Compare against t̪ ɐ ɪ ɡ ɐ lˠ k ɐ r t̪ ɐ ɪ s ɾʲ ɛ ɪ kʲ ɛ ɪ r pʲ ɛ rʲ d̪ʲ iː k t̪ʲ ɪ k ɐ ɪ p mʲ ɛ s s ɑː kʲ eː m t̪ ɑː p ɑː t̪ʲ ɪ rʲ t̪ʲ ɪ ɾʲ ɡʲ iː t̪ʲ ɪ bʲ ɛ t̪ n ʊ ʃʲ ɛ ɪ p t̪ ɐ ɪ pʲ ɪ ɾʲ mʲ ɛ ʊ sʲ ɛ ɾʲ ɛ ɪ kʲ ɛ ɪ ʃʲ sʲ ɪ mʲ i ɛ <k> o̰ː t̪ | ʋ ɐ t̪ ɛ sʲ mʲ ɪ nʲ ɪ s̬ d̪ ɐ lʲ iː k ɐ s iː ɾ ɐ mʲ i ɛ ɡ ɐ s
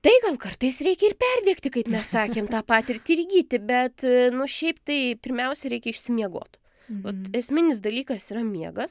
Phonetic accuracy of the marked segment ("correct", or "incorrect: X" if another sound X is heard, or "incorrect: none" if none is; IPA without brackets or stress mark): incorrect: ɡ